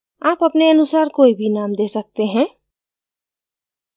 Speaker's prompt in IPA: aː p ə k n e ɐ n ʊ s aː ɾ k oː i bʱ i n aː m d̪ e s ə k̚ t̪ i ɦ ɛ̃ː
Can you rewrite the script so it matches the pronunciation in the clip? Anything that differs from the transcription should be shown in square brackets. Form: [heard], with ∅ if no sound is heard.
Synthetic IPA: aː p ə [p] n e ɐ n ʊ s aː ɾ k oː i bʱ i n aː m d̪ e s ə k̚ t̪ [e] ɦ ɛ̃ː